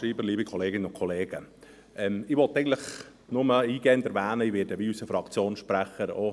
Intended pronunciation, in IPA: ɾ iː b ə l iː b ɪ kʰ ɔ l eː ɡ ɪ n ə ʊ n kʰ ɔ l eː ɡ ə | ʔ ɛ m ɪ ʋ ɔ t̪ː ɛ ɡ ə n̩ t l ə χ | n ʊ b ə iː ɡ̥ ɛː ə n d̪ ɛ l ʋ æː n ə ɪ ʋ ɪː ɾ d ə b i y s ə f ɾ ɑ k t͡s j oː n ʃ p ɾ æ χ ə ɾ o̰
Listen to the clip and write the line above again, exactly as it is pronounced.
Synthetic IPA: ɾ iː b ə l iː b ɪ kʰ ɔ l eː ɡ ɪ n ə ʊ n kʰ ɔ l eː ɡ ə | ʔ ɛ m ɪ ʋ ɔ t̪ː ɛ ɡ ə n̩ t l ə χ | n ʊ m ə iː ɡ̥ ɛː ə n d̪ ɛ ɾ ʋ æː n ə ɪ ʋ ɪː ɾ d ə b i y s ə f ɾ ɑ k t͡s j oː n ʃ p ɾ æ χ ə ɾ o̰

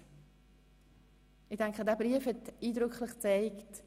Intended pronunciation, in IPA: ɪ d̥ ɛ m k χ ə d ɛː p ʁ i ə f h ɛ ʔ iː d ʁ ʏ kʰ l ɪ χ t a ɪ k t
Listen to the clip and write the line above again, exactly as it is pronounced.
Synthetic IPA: ɪ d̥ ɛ ŋ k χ ə d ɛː b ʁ i ə f h ɛ t iː d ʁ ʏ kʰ l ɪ χ t͡s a ɪ k t

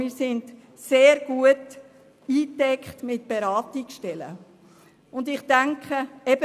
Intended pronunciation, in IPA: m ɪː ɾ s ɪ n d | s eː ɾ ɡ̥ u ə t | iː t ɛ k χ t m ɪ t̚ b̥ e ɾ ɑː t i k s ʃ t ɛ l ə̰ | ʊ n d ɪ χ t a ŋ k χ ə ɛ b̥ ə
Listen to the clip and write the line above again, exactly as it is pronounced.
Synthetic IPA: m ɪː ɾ s ɪ n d | s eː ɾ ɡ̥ u ə t | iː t ɛ k χ t m ɪ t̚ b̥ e ɾ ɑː t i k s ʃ t ɛ l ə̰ | ʊ n d ɪ χ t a ŋ k χ ə ɛ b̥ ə

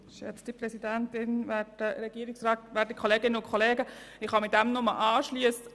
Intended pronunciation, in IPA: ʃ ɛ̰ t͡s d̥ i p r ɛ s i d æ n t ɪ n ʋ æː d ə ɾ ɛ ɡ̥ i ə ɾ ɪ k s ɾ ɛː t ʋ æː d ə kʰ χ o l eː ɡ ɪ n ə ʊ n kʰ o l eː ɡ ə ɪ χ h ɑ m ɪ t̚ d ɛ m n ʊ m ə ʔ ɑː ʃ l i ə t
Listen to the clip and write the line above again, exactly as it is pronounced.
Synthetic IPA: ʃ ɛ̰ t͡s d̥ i p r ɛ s i d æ n t ɪ n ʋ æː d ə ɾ ɛ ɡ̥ i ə ɾ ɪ k s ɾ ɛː t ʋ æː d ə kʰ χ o l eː ɡ ɪ n ə ʊ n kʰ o l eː ɡ ə ɪ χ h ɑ m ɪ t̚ d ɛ m n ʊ m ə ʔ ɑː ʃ l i ə s

